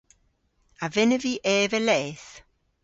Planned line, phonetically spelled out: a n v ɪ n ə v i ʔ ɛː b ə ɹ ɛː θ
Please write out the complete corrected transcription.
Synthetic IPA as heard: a v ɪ n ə v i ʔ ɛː v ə l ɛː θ